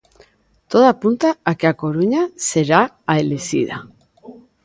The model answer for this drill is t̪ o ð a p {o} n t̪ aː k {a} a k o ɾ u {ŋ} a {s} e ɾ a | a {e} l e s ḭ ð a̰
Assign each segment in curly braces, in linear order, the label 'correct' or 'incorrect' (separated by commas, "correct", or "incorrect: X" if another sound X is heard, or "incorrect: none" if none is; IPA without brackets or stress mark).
incorrect: u, incorrect: e, incorrect: ɲ, correct, correct